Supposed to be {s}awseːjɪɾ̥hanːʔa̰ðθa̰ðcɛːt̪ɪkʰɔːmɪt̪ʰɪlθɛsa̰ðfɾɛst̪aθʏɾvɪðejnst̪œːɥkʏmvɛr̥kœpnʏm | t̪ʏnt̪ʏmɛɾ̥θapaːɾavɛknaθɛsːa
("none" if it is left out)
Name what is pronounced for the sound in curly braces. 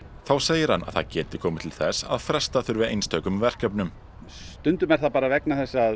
θ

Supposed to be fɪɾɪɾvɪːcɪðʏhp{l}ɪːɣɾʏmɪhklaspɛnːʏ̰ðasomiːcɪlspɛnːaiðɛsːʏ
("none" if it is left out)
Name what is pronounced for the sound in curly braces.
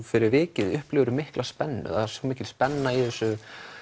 l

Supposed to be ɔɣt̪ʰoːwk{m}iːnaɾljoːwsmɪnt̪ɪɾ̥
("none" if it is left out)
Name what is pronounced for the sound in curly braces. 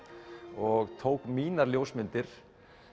m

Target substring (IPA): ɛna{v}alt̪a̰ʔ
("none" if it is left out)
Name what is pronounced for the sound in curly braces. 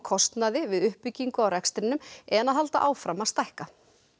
ð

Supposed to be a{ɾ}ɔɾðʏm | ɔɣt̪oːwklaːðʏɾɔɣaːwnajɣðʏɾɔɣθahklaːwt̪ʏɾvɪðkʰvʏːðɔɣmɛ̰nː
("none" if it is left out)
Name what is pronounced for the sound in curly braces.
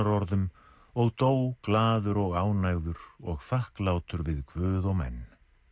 ɾ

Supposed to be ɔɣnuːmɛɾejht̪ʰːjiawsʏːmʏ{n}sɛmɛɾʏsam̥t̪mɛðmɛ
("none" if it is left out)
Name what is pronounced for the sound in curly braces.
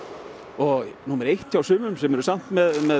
m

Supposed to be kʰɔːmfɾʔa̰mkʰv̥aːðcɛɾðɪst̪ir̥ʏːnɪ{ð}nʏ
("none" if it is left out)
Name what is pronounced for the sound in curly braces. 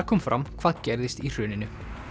none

